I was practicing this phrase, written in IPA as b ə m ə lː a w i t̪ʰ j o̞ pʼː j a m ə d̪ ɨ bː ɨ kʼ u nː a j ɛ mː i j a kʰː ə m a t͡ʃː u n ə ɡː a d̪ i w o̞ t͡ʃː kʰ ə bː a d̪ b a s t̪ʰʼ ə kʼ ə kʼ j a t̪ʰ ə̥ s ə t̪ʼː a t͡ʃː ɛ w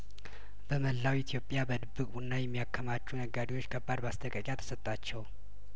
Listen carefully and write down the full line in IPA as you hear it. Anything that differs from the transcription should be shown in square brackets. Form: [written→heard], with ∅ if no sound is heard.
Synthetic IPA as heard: b ə m ə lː a w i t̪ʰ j o̞ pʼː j a [m→b] ə d̪ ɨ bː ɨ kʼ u nː a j ɛ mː i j a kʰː ə m a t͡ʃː u n ə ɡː a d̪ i w o̞ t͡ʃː kʰ ə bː a d̪ b a s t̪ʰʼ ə kʼ ə kʼ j a t̪ʰ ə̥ s ə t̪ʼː a t͡ʃː ɛ w